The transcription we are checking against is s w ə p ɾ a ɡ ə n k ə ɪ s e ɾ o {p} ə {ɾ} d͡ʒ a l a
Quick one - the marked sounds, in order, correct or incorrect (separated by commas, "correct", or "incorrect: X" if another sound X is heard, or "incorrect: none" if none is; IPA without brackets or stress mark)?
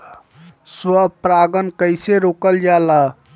incorrect: k, incorrect: l